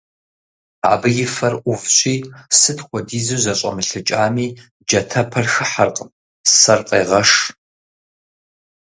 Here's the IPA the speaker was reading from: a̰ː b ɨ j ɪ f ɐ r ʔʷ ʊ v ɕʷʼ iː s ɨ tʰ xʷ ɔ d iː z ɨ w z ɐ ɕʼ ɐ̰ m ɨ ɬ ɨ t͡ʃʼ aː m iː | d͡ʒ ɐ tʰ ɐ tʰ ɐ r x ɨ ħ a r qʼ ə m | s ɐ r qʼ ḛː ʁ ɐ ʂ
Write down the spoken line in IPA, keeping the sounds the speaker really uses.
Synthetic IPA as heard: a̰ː b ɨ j ɪ f ɐ r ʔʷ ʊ v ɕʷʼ iː s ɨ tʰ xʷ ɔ d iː z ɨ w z ɐ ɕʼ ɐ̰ m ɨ ɬ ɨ t͡ʃʼ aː m iː | d͡ʒ ɐ tʰ ɐ pʰ ɐ r x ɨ ħ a r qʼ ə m | s ɐ r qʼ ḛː ʁ ɐ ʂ